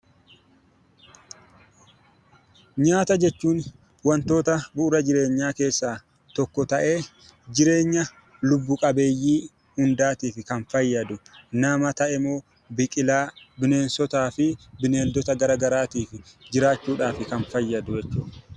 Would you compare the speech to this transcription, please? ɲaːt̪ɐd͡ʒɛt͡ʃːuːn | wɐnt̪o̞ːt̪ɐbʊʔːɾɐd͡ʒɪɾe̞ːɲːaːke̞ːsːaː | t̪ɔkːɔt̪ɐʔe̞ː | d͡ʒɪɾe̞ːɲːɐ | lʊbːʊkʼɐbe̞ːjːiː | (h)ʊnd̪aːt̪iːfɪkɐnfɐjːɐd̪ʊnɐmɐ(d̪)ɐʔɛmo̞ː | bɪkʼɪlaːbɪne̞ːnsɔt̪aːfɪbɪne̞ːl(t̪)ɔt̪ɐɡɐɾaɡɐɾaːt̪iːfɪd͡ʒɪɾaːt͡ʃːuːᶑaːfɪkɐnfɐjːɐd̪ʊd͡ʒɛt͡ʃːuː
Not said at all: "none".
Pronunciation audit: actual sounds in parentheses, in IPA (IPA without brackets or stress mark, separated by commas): h, t̪, d̪